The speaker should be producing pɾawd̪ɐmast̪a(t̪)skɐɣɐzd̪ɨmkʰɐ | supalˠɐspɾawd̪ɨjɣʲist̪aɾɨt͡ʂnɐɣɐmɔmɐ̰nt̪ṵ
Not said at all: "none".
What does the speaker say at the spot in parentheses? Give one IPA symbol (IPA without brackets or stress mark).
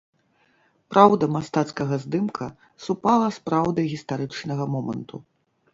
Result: t̪